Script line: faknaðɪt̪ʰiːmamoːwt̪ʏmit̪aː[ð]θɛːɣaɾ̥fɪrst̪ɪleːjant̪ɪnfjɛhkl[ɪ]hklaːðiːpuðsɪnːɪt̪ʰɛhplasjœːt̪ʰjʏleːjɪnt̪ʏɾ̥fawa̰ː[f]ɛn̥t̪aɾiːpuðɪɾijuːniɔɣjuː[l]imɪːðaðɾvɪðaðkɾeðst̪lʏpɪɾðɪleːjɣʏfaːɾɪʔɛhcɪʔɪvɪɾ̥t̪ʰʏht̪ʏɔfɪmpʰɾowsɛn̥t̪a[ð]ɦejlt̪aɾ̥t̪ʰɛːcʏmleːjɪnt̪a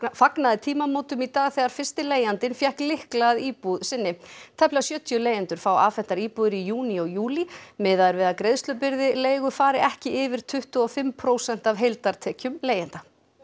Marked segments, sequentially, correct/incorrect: incorrect, correct, correct, correct, incorrect

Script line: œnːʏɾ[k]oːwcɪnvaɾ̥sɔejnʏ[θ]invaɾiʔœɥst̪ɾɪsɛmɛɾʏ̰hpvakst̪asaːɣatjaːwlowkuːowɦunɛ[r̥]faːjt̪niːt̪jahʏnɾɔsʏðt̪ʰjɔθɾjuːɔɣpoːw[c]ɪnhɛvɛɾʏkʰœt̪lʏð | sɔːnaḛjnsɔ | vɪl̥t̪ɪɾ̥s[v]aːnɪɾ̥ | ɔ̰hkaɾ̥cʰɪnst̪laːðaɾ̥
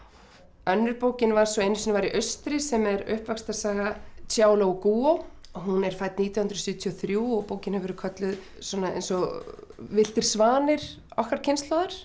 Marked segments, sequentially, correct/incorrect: incorrect, incorrect, incorrect, correct, correct

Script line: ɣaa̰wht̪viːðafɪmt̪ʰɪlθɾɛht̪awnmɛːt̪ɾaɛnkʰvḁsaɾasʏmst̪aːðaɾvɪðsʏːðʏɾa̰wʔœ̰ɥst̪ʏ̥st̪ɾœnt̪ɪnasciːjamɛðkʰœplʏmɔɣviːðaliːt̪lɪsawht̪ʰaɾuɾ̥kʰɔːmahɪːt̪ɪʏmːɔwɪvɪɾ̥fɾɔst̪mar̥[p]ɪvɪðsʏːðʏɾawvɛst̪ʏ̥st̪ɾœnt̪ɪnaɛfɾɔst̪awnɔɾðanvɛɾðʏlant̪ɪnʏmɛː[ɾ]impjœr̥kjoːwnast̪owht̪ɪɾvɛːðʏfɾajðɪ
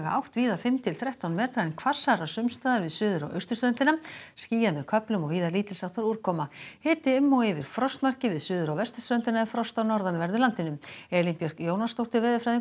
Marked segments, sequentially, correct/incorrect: incorrect, incorrect

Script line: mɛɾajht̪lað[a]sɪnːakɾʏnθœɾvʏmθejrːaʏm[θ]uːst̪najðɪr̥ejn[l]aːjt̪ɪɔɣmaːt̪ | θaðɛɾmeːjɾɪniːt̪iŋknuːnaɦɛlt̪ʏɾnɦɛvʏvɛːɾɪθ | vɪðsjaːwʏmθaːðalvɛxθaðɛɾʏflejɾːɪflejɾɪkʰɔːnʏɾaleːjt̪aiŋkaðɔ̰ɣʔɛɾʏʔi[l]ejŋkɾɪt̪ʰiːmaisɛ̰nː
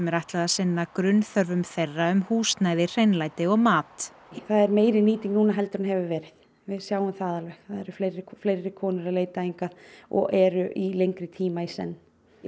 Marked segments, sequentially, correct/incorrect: correct, incorrect, correct, correct

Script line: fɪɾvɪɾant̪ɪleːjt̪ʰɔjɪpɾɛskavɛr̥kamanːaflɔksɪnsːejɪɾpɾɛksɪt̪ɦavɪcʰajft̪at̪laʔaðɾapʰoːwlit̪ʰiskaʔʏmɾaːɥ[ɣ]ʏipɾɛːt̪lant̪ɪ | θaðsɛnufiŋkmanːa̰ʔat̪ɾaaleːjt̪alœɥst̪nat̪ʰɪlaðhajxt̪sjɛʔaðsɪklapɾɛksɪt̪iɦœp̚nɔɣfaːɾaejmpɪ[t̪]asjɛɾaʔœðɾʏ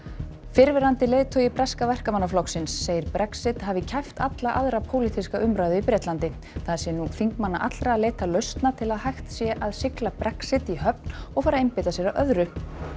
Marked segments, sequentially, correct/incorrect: incorrect, correct

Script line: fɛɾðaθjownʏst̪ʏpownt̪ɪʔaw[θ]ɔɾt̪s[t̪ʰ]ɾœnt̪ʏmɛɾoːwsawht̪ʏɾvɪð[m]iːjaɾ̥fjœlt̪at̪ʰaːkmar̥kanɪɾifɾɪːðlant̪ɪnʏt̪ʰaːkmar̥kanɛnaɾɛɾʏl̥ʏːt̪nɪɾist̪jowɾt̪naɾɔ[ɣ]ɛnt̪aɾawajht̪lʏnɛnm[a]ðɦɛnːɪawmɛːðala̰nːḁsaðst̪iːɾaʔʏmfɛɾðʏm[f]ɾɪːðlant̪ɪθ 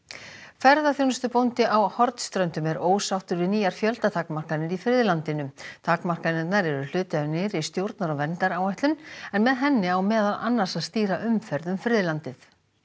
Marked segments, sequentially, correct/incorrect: incorrect, incorrect, incorrect, incorrect, incorrect, correct

